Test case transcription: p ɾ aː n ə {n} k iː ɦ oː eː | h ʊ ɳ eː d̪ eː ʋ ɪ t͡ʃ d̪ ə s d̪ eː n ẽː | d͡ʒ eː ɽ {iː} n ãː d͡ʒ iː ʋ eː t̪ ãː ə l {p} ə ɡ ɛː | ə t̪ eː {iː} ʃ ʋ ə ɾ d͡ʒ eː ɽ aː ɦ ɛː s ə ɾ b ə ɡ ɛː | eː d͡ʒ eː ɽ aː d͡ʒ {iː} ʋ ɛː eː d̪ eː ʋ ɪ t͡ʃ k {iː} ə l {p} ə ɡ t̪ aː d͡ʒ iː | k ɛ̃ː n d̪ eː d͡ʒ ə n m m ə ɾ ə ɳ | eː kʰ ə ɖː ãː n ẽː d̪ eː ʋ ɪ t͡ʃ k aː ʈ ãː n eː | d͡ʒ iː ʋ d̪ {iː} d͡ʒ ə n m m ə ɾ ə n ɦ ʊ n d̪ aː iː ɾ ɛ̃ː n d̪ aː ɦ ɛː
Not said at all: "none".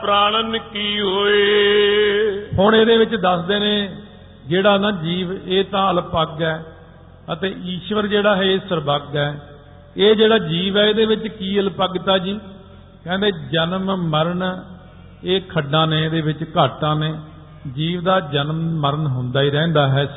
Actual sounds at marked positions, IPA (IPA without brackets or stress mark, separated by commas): n, aː, p, iː, iː, iː, p, aː